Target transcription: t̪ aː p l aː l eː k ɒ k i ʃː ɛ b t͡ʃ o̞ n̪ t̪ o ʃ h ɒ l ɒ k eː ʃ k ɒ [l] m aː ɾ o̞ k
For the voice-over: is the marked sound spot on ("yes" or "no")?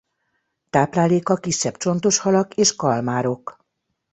yes